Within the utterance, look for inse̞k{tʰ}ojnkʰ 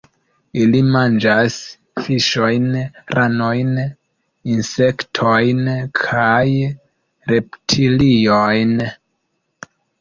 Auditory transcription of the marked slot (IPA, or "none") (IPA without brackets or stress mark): tʰ